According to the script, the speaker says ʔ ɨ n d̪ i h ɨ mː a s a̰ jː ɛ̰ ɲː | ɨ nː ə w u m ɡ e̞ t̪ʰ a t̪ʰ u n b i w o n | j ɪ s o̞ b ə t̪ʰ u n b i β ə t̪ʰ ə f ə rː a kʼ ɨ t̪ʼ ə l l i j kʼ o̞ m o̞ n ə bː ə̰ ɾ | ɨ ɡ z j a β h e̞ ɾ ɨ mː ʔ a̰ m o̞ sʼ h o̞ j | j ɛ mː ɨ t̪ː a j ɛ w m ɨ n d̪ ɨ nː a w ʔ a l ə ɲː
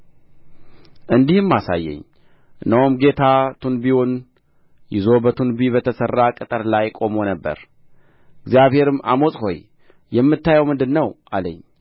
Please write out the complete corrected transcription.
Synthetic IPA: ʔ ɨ n d̪ i h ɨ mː a s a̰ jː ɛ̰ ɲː | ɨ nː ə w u m ɡ e̞ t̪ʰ a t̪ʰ u n b i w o n | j ɪ z o̞ b ə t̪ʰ u n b i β ə t̪ʰ ə s ə rː a kʼ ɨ t̪ʼ ə ɾ l a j kʼ o̞ m o̞ n ə bː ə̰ ɾ | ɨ ɡ z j a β h e̞ ɾ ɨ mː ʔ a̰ m o̞ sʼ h o̞ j | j ɛ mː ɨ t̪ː a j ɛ w m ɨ n d̪ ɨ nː ə w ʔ a l ə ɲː